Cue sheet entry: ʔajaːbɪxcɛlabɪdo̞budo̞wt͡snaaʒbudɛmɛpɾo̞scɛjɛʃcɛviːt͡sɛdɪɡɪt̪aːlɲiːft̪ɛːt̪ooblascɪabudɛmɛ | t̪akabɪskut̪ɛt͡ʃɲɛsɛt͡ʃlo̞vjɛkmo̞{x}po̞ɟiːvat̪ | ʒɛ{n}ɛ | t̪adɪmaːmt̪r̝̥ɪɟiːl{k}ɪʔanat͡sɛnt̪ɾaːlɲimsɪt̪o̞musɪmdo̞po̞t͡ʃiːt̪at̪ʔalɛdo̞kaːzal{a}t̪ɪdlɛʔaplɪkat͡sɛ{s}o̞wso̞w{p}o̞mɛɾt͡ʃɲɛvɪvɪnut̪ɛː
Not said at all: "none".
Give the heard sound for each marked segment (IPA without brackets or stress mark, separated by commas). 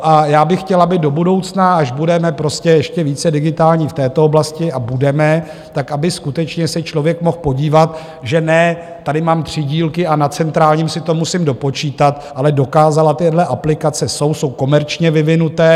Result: x, n, k, a, s, k